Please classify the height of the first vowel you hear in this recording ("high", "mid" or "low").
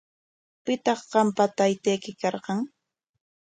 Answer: high